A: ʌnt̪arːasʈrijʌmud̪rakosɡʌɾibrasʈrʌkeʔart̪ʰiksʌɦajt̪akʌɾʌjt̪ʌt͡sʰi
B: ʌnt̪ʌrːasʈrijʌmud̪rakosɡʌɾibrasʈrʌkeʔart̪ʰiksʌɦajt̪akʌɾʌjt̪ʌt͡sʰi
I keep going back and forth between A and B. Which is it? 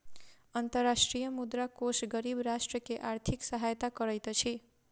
B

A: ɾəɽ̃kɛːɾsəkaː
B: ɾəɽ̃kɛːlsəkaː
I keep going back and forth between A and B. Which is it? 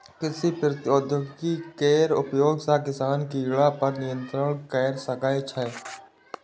A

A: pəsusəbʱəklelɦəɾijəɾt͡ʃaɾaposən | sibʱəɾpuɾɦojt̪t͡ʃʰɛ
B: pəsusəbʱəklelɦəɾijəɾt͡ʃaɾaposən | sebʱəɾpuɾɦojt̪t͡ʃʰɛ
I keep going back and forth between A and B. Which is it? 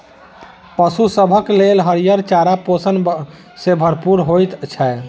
B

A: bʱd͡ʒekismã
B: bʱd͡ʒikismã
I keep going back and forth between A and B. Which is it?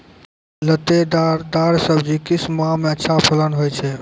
B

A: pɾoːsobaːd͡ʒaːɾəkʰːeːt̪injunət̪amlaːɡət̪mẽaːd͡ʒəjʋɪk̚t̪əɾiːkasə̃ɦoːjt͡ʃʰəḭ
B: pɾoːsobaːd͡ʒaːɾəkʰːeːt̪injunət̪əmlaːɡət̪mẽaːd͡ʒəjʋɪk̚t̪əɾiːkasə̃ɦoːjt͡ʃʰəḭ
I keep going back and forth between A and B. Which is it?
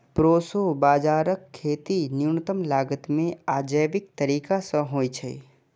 B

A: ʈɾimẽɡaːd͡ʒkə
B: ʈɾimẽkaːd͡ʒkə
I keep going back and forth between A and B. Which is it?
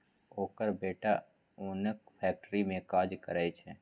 B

